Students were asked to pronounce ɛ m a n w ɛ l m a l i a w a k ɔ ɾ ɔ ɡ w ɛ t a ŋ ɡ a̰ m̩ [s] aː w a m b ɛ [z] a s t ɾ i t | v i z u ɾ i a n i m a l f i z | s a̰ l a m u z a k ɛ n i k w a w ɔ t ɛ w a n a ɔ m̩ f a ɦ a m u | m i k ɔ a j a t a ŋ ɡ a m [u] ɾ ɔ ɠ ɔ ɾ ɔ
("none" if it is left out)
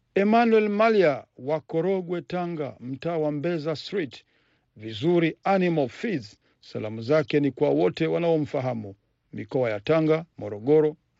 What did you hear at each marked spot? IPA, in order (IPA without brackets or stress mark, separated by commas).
t, z, ɔ